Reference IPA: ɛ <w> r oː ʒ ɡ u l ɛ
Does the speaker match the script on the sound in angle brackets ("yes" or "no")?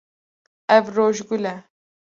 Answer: no